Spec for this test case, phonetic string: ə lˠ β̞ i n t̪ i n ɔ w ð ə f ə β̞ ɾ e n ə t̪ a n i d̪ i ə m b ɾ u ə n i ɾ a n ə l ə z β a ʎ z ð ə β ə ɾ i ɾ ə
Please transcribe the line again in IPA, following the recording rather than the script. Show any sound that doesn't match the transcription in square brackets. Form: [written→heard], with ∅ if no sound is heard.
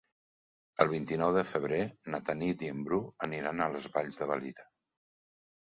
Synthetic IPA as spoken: ə lˠ β̞ i n t̪ i n ɔ w ð ə f ə β̞ ɾ e n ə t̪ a n i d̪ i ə m b ɾ u ə n i ɾ a n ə l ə z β a ʎ z ð ə β ə [ɾ→l] i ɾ ə

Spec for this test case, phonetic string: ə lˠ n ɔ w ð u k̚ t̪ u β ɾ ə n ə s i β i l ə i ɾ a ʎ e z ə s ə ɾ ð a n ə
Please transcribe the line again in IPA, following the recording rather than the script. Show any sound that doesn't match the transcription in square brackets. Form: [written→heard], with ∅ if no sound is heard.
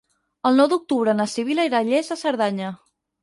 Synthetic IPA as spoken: ə lˠ n ɔ w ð u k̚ t̪ u β ɾ ə n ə s i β i l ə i ɾ a ʎ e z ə s ə ɾ ð a [n→ɲ] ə

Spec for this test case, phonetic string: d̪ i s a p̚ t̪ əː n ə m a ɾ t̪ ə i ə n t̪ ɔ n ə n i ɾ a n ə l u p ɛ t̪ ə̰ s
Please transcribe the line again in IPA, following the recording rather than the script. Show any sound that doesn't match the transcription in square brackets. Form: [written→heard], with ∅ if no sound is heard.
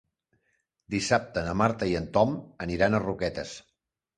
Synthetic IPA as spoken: d̪ i s a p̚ t̪ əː n ə m a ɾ t̪ ə i ə n t̪ ɔ [n→m] ə n i ɾ a n ə [l→r] u [p→k] ɛ t̪ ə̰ s

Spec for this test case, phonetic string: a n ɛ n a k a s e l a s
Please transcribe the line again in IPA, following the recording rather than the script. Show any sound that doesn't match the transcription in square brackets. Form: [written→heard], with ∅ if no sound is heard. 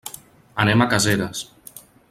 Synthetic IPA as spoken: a n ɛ [n→m] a k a [s→z] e [l→ɾ] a s

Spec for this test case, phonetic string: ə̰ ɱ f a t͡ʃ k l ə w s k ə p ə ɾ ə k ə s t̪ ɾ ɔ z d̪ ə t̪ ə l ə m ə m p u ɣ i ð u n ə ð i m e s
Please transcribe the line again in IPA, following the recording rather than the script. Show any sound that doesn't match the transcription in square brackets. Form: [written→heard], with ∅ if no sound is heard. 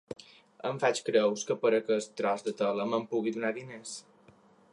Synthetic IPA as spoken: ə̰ ɱ f a t͡ʃ k [l→ɾ] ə w s k ə p ə ɾ ə k ə s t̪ ɾ ɔ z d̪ ə t̪ ə l ə m ə m p u ɣ i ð u n [ə→a] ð i [m→n] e s

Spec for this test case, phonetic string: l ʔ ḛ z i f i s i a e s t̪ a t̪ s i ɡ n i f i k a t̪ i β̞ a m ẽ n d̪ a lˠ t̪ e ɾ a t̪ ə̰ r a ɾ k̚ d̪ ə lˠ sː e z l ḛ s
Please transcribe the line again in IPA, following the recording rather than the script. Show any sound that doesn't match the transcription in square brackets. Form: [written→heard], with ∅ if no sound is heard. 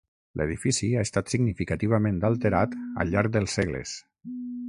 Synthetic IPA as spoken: l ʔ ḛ [z→ð] i f i s i a e s t̪ a t̪ s i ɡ n i f i k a t̪ i β̞ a m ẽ n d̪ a lˠ t̪ e ɾ a t̪ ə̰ [r→ʎ] a ɾ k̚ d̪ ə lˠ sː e [z→ɣ] l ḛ s

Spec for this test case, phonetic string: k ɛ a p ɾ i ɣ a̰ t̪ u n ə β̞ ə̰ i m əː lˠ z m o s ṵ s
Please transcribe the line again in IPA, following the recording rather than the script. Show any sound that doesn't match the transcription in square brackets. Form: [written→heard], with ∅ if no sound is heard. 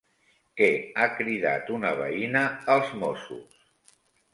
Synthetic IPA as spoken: k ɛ a [p→k] ɾ i [ɣ→ð] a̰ t̪ u n ə β̞ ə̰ i [m→n] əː lˠ z m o s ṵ s

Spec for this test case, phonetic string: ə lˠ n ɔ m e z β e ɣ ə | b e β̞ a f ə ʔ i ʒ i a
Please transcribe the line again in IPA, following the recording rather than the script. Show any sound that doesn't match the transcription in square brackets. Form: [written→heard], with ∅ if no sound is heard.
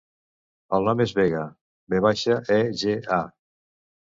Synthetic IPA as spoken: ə lˠ n ɔ m e z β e ɣ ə | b e β̞ a [f→ʃ] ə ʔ [i→ɛ] ʒ [i→e] a

